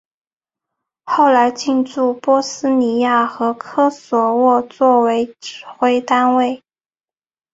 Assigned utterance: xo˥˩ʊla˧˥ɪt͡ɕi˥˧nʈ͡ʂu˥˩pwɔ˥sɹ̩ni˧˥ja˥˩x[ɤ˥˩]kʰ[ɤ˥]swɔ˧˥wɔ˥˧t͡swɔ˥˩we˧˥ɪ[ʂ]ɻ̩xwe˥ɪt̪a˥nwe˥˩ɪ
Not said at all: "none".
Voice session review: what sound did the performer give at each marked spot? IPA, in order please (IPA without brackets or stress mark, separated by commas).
ɤ˧˥, ɤ˥, ʈ͡ʂ